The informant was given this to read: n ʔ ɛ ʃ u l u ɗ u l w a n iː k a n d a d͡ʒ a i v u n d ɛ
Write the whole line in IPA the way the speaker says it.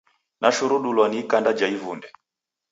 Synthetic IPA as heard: n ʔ a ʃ u ɾ u ɗ u l w a n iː k a n d a d͡ʒ a i v u n d ɛ

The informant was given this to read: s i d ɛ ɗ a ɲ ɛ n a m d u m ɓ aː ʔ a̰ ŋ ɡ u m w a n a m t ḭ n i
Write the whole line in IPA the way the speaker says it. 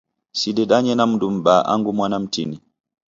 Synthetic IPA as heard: s i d ɛ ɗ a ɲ ɛ n a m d u m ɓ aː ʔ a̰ ŋ ɡ u m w a n a m t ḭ n i

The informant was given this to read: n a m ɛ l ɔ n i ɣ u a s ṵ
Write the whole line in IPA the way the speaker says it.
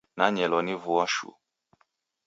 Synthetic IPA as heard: n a ɲ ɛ l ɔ n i v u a ʃ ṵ

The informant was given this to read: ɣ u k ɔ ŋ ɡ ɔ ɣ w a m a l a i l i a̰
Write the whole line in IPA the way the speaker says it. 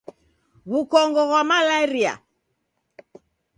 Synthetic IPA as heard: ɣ u k ɔ ŋ ɡ ɔ ɣ w a m a l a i ɾ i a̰

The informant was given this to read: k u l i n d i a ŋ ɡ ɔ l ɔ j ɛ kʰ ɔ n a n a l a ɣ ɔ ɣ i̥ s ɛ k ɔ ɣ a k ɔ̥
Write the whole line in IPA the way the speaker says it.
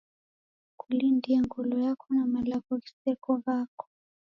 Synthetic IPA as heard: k u l i n d i a ŋ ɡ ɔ l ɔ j a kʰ ɔ n a m a l a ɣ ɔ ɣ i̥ s ɛ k ɔ ɣ a k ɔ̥

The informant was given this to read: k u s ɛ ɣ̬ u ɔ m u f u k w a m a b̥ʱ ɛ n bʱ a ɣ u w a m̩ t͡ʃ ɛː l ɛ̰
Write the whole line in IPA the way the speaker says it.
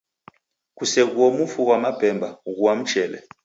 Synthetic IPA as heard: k u s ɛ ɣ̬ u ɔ m u f u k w a m a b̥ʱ ɛ m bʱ a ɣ u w a m̩ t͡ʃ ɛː l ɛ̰

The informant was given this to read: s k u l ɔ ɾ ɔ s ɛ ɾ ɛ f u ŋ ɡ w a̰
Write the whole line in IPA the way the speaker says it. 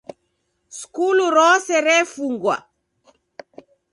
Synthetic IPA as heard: s k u l u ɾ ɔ s ɛ ɾ ɛ f u ŋ ɡ w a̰

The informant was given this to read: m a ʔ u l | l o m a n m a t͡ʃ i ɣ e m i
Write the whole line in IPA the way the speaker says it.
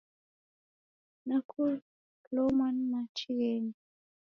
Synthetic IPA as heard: n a k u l | l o m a n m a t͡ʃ i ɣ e n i

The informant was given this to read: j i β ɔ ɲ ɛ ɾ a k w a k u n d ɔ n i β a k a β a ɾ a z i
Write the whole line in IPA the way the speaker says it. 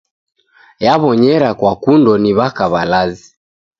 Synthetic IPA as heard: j a β ɔ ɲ ɛ ɾ a k w a k u n d ɔ n i β a k a β a l a z i

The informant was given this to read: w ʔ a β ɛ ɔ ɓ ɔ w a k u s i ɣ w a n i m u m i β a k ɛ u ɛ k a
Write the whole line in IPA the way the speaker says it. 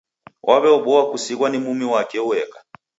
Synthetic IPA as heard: w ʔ a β ɛ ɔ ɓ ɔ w a k u s i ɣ w a n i m u m i w a k ɛ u ɛ k a

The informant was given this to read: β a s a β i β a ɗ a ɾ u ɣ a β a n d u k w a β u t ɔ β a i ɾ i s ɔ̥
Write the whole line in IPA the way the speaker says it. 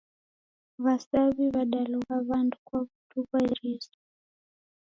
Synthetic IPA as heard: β a s a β i β a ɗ a l u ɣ a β a n d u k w a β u t u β a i ɾ i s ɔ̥

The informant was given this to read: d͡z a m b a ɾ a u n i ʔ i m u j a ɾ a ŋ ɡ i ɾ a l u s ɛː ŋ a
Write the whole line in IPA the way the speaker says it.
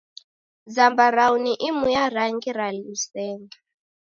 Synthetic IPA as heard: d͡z a m b a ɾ a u n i ʔ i m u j a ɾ a ŋ ɡ i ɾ a l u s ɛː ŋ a

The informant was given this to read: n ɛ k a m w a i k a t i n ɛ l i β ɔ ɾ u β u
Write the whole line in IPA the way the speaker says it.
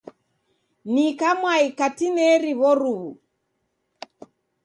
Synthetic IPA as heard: n i k a m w a i k a t i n ɛ ɾ i β ɔ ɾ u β u

